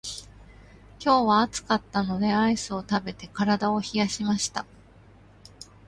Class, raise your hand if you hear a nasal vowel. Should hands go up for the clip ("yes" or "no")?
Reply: no